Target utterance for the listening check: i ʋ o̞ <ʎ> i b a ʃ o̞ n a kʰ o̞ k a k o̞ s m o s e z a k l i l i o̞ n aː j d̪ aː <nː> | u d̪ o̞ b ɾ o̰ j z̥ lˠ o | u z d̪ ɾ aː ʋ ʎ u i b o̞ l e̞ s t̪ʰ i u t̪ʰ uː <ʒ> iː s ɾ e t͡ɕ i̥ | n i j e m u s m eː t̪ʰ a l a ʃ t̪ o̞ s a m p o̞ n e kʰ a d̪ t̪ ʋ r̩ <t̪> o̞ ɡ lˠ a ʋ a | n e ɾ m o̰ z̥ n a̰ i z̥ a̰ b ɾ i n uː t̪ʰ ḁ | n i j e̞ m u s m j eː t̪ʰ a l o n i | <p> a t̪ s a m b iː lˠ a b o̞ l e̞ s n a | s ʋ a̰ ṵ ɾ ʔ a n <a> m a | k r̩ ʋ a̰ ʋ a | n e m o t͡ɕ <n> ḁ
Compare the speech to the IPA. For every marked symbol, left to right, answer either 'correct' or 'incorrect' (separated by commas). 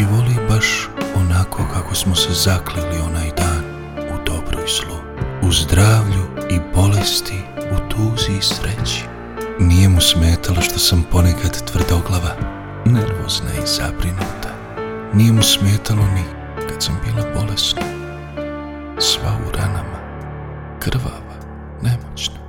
incorrect, incorrect, incorrect, incorrect, incorrect, correct, correct